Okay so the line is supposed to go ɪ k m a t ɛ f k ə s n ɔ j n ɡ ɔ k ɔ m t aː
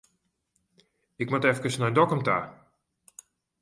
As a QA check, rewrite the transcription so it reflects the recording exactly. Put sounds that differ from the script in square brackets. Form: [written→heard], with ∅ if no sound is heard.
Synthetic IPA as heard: ɪ k m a t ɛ f k ə s n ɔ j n [ɡ→d] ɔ k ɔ m t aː

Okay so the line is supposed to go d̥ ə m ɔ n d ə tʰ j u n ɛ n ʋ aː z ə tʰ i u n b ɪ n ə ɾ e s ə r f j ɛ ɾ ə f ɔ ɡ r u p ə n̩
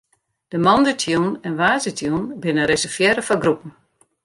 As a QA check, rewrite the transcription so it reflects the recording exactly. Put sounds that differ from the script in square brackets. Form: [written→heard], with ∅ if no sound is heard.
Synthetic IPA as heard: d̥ ə m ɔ n d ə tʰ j u n ɛ n ʋ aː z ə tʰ [i→j] u n b ɪ n ə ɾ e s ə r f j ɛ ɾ ə f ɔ ɡ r u p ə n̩

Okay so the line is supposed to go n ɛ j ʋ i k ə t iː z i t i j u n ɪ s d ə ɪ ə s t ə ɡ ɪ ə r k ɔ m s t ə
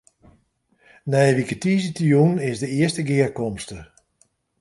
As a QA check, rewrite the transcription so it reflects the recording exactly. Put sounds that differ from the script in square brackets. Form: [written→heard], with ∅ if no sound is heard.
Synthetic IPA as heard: n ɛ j ʋ i k ə t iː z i t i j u n ɪ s d ə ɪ ə s t ə ɡ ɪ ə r k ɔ m s t ə

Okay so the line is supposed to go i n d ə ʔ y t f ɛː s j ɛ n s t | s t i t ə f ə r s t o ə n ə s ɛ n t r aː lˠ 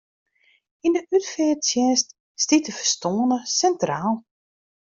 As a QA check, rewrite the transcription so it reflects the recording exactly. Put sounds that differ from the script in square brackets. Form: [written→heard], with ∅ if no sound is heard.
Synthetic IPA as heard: i n d ə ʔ y t f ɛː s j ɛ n s t | s t i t ə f ə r s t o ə n ə s ɛ n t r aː lˠ

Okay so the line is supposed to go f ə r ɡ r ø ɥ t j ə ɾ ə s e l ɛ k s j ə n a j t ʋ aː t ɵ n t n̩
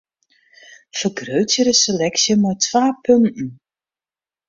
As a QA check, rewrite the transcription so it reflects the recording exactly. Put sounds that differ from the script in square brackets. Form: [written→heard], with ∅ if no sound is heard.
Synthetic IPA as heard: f ə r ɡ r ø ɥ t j ə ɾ ə s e l ɛ k s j ə [n→m] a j t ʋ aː [t→p] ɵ n t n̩

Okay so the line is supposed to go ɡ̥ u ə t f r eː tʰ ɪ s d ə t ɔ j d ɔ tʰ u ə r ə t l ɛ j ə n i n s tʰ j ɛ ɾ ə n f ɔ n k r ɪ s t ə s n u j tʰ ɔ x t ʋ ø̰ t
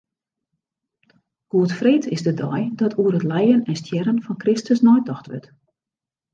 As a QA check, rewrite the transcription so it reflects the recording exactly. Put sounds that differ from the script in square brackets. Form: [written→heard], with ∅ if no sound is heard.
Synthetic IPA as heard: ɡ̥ u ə t f r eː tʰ ɪ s d ə [t→d] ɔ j d ɔ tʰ u ə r ə t l ɛ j ə n [i→ɛ] n s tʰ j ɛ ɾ ə n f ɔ n k r ɪ s t ə s n [u→ɔ] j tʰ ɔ x t ʋ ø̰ t

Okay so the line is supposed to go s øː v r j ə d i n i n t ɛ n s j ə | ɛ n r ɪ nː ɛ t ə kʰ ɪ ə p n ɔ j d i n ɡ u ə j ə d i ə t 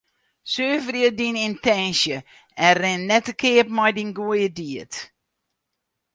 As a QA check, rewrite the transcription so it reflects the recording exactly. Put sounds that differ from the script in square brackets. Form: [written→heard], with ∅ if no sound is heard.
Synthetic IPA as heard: s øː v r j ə d i n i n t ɛ n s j ə | ɛ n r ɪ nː ɛ t ə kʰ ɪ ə p [n→m] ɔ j d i n ɡ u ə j ə d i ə t

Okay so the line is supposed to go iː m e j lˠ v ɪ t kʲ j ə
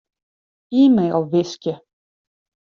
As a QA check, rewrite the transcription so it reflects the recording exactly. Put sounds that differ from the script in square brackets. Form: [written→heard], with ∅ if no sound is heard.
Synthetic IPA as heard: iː m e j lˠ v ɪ [t→s] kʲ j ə

